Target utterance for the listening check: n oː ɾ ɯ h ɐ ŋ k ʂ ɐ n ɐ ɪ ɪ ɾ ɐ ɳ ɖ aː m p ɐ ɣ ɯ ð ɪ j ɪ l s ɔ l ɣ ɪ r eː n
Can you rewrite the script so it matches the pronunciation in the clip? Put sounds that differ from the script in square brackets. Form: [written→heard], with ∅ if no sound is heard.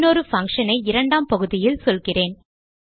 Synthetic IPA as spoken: n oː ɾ ɯ [h→f] ɐ ŋ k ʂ ɐ n ɐ ɪ ɪ ɾ ɐ ɳ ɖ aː m p ɐ ɣ ɯ ð ɪ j ɪ l s ɔ l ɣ ɪ r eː n

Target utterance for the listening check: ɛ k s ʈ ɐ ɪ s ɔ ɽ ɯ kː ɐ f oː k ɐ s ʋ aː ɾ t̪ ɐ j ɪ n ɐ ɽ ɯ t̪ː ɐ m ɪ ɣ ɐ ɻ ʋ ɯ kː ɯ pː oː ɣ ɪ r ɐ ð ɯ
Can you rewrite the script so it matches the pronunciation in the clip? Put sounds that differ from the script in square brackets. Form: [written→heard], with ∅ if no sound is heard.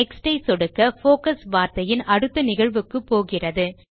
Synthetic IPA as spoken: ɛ k s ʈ ɐ ɪ s ɔ ɽ ɯ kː ɐ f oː k ɐ s ʋ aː ɾ t̪ ɐ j ɪ n ɐ ɽ ɯ t̪ː ɐ [m→n] ɪ ɣ ɐ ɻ ʋ ɯ kː ɯ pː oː ɣ ɪ r ɐ ð ɯ

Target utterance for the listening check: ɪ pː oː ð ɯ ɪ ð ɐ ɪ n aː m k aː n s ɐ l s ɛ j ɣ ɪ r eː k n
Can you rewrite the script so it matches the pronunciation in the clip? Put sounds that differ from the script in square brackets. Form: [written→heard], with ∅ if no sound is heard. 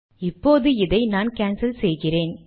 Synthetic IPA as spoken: ɪ pː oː ð ɯ ɪ ð ɐ ɪ n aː [m→n] k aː n s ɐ l s ɛ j ɣ ɪ r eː [k→∅] n

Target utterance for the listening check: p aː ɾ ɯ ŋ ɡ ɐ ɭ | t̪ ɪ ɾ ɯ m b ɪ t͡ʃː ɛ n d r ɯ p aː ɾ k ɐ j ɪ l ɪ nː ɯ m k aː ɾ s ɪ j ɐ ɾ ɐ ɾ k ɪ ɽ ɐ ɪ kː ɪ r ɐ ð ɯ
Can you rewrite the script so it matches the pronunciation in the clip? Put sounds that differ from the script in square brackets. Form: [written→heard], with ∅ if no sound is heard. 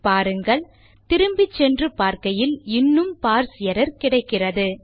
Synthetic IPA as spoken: p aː ɾ ɯ ŋ ɡ ɐ ɭ | t̪ ɪ ɾ ɯ m b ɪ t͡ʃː ɛ n d r ɯ p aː ɾ k ɐ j ɪ l ɪ nː ɯ m [k→p] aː ɾ s ɪ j ɐ ɾ ɐ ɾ k ɪ ɽ ɐ ɪ kː ɪ r ɐ ð ɯ

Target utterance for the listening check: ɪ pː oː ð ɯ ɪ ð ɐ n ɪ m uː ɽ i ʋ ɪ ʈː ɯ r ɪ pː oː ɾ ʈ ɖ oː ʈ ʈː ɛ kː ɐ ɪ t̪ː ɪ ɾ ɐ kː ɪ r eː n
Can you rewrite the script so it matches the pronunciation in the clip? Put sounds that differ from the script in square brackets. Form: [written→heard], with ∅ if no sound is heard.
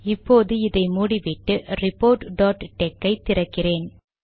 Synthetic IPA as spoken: ɪ pː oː ð ɯ ɪ ð ɐ [n→∅] ɪ m uː ɽ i ʋ ɪ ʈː ɯ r ɪ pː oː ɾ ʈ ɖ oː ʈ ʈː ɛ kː ɐ ɪ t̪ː ɪ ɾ ɐ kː ɪ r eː n

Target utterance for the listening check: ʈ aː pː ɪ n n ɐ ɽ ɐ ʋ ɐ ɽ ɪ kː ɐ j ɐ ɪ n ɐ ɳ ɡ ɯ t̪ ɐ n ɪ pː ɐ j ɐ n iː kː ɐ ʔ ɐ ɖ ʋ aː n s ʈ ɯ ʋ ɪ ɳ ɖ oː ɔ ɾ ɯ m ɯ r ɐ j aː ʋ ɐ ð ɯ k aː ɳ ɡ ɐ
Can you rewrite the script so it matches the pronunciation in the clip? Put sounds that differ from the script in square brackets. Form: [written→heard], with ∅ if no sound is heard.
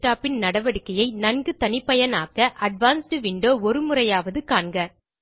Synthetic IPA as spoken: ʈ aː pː ɪ n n ɐ ɽ ɐ ʋ ɐ ɽ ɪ kː ɐ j ɐ ɪ n ɐ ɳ ɡ ɯ t̪ ɐ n ɪ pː ɐ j ɐ n [iː→aː] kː ɐ ʔ ɐ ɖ ʋ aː n s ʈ ɯ ʋ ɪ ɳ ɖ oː ɔ ɾ ɯ m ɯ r ɐ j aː ʋ ɐ ð ɯ k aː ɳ ɡ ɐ

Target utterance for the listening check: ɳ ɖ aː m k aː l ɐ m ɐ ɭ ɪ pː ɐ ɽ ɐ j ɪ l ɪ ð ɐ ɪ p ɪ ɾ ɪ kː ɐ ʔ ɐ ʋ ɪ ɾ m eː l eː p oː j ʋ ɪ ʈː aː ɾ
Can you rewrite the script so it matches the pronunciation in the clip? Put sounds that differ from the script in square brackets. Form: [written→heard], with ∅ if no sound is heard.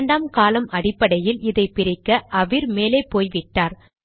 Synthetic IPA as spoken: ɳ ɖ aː m k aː l ɐ m ɐ [ɭ→ɽ] ɪ pː ɐ ɽ ɐ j ɪ l ɪ ð ɐ ɪ p ɪ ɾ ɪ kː ɐ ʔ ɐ ʋ ɪ ɾ m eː l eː p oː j ʋ ɪ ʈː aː ɾ

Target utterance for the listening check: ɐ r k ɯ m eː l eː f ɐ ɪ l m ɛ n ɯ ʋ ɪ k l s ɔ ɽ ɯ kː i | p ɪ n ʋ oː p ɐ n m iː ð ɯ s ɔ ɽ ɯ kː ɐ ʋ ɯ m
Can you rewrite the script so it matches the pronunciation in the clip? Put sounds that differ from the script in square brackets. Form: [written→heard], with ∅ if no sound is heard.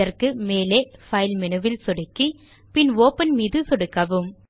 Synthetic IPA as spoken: ɐ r k ɯ m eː l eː f ɐ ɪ l m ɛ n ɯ ʋ ɪ [k→∅] l s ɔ ɽ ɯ kː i | p ɪ n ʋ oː p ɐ n m iː ð ɯ s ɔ ɽ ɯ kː ɐ ʋ ɯ m

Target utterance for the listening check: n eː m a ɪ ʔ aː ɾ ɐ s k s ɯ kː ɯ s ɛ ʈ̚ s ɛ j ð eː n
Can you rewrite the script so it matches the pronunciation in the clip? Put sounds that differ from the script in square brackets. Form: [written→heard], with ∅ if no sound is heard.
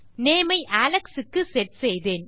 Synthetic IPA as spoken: n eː m [a→ɐ] ɪ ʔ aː [ɾ→l] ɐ [s→∅] k s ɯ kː ɯ s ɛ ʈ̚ s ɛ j ð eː n

